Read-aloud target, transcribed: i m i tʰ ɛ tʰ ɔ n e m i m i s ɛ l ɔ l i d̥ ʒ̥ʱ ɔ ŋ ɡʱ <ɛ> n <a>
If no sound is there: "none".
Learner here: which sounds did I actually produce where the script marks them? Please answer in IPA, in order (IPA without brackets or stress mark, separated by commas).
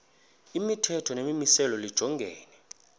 ɛː, ɛ